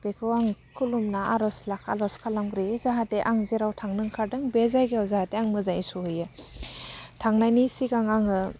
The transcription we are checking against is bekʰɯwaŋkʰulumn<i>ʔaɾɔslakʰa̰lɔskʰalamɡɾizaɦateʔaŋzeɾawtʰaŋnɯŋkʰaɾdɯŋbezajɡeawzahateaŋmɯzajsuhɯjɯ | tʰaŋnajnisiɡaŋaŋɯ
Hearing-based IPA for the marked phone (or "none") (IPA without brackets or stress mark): a